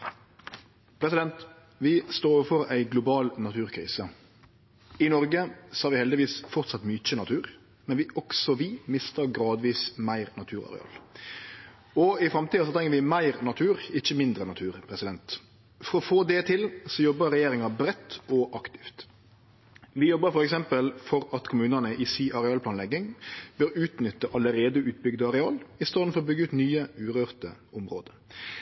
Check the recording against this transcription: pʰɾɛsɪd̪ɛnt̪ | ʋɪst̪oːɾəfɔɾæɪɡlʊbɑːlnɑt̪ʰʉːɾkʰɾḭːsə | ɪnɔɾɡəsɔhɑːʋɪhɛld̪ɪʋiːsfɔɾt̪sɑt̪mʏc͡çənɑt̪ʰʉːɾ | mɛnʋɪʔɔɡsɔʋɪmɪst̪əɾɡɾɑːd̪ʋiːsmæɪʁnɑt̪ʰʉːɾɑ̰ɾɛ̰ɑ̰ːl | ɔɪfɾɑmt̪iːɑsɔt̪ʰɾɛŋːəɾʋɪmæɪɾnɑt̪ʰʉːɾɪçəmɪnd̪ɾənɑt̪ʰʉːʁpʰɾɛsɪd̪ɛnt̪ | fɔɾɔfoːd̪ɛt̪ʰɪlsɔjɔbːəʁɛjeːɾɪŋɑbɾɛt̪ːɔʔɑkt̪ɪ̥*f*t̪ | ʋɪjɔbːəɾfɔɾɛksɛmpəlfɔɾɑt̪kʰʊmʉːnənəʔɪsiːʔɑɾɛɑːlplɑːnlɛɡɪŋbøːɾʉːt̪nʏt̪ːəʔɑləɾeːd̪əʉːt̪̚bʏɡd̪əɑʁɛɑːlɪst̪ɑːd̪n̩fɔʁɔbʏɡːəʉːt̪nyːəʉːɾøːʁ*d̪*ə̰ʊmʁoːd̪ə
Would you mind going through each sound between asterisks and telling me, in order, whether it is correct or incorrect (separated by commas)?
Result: correct, incorrect